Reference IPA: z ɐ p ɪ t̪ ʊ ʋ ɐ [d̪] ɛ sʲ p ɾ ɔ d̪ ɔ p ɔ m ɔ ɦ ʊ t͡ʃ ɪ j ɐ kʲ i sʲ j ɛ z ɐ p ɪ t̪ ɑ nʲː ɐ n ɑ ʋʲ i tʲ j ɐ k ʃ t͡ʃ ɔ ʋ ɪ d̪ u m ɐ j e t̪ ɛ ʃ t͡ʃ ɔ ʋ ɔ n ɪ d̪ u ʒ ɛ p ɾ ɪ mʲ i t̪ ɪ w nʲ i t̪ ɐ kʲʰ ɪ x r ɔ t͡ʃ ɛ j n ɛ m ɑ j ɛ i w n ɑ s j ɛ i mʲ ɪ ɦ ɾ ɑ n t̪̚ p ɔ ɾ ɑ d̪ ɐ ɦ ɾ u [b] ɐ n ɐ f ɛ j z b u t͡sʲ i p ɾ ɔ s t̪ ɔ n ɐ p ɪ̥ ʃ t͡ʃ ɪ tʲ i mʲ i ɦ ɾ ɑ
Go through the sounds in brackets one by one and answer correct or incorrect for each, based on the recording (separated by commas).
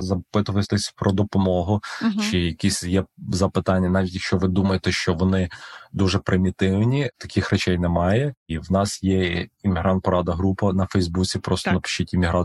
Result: incorrect, incorrect